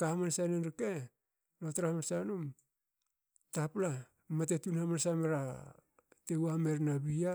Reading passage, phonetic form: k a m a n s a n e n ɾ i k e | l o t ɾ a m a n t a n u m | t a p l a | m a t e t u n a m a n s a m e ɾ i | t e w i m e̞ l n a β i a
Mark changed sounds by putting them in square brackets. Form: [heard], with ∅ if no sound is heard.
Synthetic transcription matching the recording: k a m a n s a n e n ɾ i k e | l o t ɾ a m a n [s] a n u m | t a p l a | m a t e t u n a m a n s a m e ɾ [a] | t e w [a] m e̞ [ɾ] n a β i a

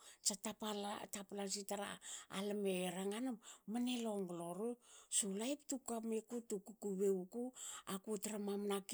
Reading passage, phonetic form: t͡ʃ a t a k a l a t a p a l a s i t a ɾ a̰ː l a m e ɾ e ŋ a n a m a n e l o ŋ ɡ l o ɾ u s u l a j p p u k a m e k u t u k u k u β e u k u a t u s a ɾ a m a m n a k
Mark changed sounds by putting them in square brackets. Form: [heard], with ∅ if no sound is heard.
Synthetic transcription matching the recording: t͡ʃ a t a [p] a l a t a p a l a s i t a ɾ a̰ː l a m e ɾ [a] ŋ a n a m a n e l o ŋ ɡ l o ɾ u s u l a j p [t] u k a m e k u t u k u k u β e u k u a [k] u [t] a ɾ a m a m n a k

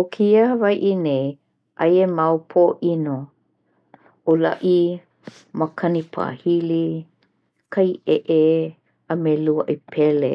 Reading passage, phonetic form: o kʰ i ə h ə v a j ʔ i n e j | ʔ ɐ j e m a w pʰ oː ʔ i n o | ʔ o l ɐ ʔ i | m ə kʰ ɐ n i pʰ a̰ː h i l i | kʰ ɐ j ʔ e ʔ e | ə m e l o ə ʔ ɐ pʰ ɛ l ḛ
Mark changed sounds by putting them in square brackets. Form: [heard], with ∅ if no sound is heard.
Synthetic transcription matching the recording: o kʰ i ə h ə v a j ʔ i n e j | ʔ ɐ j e m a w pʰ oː ʔ i n o | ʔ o l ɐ ʔ i | m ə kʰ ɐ n i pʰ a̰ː h i l i | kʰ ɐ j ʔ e ʔ e | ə m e l [u] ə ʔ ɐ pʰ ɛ l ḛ

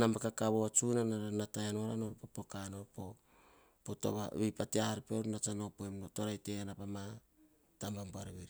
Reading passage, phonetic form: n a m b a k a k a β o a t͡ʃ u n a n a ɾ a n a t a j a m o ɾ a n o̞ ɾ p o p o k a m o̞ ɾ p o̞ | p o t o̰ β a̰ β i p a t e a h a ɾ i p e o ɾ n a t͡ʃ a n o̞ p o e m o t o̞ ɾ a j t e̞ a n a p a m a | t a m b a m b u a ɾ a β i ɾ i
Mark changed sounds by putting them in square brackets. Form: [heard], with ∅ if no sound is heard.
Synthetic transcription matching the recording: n a m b a k a k a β o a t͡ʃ u n a n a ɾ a n a t a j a [n] o ɾ a n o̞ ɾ p o p o k a [n] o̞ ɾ p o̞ | p o t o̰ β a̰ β i p a t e a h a ɾ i p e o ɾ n a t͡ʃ a n o̞ p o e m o t o̞ ɾ a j t e̞ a n a p a m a | t a m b a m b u a ɾ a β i ɾ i

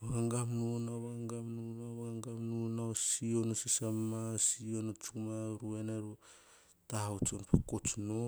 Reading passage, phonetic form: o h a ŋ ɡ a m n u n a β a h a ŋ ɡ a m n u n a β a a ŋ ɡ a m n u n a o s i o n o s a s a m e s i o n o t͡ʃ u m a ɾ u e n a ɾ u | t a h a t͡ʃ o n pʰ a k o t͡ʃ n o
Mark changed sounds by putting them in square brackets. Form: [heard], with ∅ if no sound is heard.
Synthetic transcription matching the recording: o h a ŋ ɡ a m n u n a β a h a ŋ ɡ a m n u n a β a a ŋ ɡ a m n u n a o s i o n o s [i] s a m [a] s i o n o t͡ʃ u m a ɾ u e n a ɾ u | t a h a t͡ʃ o n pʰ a k o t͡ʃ n o

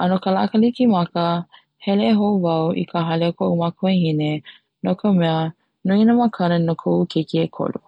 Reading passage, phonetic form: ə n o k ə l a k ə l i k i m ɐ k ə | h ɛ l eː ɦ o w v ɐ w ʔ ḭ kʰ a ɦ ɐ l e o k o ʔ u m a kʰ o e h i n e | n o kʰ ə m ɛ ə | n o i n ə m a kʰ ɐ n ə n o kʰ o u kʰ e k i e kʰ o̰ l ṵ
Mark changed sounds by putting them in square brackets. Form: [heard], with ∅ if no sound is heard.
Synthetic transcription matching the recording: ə n o k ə l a k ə l i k i m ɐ k ə | h ɛ l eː ɦ o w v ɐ w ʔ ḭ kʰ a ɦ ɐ l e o k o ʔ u m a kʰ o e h i n e | n o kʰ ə m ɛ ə | n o i n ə m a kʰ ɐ n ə n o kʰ o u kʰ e k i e kʰ o̰ l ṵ

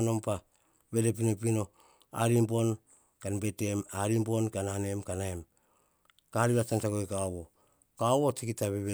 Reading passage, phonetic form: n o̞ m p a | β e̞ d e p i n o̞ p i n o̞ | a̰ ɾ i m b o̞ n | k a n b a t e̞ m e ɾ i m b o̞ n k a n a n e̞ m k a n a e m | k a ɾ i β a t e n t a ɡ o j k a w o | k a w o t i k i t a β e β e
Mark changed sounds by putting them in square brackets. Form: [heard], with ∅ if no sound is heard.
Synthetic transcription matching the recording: n o̞ m p a | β e̞ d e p i n o̞ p i n o̞ | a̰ ɾ i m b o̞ n | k a n b [e] t e̞ m [a] ɾ i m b o̞ n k a n a n e̞ m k a n a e m | k a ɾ i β a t [a] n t a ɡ o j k a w o | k a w o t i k i t a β e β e

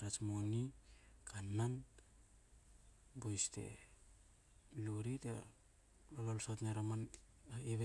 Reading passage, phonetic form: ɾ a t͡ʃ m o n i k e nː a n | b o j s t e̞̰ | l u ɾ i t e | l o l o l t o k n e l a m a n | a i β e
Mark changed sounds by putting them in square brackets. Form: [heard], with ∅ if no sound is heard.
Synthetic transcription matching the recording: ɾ a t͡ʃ m o n i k [a] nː a n | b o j s t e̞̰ | l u ɾ i t e | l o l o l [s] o [t] n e [ɾ] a m a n | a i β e

